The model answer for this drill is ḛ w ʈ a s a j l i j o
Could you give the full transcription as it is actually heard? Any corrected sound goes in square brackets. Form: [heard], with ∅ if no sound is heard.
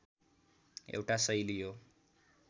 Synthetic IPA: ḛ w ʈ a s [ʌ] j l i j o